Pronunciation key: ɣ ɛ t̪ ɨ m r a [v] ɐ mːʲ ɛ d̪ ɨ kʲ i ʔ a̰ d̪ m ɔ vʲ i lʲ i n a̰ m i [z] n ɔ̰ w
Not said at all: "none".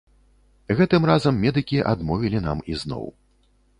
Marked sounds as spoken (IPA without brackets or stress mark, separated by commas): z, z